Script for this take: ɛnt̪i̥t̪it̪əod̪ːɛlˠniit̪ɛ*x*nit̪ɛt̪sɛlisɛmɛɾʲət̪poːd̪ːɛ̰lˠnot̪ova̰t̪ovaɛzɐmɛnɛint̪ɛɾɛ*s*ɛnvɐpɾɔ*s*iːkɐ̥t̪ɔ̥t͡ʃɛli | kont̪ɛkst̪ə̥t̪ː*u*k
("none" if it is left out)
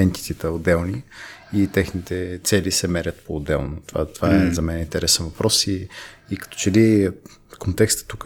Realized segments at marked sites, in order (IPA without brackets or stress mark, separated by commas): x, s, s, u